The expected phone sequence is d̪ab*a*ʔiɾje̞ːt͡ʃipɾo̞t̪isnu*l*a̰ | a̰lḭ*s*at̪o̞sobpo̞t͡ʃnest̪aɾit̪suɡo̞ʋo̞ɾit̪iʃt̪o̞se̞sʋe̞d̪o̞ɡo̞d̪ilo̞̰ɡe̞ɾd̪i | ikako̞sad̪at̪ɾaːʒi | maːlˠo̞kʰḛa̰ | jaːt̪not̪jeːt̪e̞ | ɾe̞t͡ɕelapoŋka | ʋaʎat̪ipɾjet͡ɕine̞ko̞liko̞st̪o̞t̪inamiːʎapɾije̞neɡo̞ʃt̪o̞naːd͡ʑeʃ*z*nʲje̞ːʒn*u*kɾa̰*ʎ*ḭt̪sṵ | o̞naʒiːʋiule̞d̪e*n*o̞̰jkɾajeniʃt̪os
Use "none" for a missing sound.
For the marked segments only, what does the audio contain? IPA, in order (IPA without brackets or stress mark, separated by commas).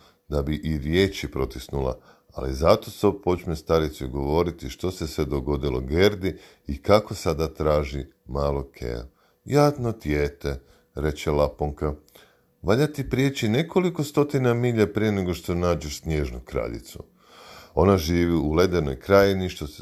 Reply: i, l, z, s, u, ʎ, n